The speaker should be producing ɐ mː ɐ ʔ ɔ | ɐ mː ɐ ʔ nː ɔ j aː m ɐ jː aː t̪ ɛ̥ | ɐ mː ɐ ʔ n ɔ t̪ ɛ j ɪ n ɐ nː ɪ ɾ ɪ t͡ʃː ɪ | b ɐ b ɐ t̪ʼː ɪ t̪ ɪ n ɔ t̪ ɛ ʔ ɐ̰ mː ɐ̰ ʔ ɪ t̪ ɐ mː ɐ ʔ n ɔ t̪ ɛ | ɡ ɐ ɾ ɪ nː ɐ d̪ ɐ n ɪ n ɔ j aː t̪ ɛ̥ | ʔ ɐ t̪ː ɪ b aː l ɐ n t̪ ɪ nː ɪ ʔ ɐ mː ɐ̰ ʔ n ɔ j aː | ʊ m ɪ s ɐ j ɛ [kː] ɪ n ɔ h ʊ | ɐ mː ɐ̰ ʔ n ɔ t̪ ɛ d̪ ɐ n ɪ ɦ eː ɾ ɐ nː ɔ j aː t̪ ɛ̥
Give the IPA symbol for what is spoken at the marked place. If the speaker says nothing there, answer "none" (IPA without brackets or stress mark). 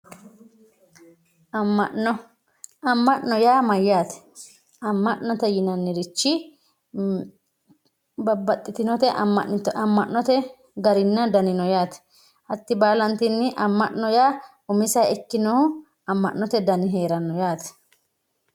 kː